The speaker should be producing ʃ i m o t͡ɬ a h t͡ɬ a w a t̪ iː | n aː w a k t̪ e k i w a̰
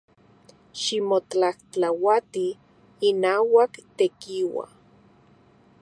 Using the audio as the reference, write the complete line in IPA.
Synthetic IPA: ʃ i m o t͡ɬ a h t͡ɬ a w a t̪ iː | n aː w a k t̪ e k i w a̰

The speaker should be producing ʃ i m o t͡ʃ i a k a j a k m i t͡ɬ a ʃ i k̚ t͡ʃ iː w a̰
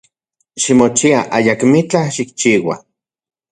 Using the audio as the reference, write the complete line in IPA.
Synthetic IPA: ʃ i m o t͡ʃ i a ʔ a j a k m i t͡ɬ a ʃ i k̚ t͡ʃ iː w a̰

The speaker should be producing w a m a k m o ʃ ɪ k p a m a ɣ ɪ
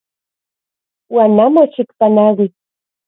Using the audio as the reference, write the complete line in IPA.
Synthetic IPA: w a n a m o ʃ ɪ k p a n a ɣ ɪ

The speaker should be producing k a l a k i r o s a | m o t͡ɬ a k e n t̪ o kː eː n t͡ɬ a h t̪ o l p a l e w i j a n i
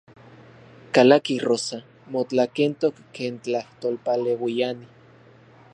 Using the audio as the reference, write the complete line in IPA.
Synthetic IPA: k a l a k i r o s a | m o t͡ɬ a k e n t̪ o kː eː n t͡ɬ a h t̪ o l p a l e w i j a n i

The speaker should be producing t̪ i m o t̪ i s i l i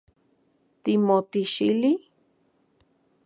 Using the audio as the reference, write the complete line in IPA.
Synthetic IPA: t̪ i m o t̪ i ʃ i l i

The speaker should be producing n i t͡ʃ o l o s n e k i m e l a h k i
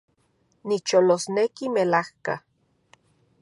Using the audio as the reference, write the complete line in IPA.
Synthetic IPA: n i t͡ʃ o l o s n e k i m e l a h k a

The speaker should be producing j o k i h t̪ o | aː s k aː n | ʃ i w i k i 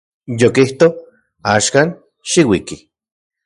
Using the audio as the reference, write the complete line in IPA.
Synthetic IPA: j o k i h t̪ o | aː ʃ k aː n | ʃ i w i k i

